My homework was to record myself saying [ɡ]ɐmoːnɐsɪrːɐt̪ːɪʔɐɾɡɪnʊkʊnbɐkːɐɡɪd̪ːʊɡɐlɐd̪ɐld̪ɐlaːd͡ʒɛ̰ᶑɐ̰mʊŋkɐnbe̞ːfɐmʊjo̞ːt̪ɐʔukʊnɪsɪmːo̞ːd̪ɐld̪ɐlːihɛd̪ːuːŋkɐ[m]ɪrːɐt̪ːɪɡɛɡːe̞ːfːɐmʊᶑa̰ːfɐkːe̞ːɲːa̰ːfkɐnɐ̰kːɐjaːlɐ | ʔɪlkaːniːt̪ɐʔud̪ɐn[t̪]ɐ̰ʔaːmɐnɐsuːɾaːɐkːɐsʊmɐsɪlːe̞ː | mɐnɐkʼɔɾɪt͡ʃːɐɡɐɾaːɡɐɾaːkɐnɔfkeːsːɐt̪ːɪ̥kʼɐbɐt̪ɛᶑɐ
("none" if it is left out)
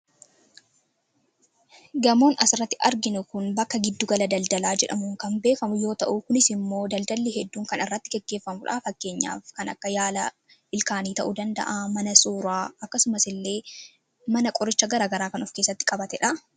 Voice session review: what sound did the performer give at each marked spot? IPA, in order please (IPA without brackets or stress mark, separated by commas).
ɡ, n, d̪